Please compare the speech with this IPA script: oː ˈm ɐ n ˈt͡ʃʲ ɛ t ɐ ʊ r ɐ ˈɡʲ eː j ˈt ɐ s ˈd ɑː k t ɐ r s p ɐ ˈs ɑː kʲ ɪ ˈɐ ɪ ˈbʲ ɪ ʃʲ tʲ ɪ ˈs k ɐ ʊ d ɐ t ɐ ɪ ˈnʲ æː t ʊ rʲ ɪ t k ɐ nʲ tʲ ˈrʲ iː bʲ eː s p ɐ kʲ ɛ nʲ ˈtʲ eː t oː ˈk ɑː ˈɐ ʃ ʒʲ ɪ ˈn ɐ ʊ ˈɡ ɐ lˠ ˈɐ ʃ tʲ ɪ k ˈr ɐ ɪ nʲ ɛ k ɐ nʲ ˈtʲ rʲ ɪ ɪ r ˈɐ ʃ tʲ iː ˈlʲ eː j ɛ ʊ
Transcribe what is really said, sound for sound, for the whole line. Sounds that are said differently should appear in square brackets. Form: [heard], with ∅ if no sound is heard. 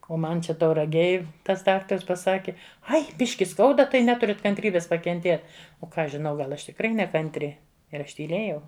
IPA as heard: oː ˈm ɐ n ˈt͡ʃʲ ɛ t ɐ ʊ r ɐ ˈɡʲ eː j ˈt ɐ s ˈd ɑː k t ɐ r s p ɐ ˈs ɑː kʲ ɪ ˈɐ ɪ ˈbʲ ɪ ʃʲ [kʲ] ɪ ˈs k ɐ ʊ d ɐ t ɐ ɪ ˈnʲ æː t ʊ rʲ ɪ t k ɐ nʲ tʲ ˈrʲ iː bʲ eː s p ɐ kʲ ɛ nʲ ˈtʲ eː t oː ˈk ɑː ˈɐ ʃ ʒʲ ɪ ˈn ɐ ʊ ˈɡ ɐ lˠ ˈɐ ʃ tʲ ɪ k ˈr ɐ ɪ nʲ ɛ k ɐ nʲ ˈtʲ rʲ ɪ ɪ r ˈɐ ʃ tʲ iː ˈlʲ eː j ɛ ʊ